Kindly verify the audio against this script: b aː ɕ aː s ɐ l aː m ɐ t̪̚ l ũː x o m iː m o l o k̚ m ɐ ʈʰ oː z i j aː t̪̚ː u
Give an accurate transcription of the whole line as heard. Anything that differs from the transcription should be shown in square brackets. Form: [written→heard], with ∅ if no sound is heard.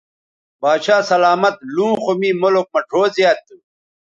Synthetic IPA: b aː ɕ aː s ɐ l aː m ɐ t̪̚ l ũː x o m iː m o l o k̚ m ɐ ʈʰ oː z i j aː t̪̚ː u